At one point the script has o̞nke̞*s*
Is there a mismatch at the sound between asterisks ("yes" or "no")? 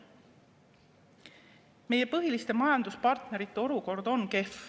yes